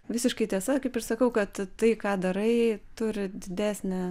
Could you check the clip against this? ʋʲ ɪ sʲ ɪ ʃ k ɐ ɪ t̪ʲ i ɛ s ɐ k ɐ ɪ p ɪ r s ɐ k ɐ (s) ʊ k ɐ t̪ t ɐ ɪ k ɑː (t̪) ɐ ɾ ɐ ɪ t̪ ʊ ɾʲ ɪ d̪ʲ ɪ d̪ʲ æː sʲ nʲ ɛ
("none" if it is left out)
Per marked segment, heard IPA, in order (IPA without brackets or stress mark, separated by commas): none, d̪